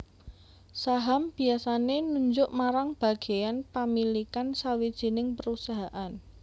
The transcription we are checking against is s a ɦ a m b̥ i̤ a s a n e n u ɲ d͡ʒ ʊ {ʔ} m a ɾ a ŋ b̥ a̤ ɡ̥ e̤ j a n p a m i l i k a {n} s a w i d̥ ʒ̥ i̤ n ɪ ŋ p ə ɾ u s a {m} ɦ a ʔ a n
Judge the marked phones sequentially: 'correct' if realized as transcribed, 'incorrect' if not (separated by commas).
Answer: correct, correct, incorrect